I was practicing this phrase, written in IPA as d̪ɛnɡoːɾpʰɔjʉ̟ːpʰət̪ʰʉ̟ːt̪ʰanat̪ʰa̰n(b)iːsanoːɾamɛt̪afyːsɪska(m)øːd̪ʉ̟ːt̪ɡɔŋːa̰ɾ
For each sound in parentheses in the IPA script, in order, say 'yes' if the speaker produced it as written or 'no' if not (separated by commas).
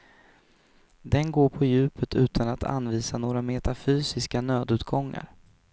no, no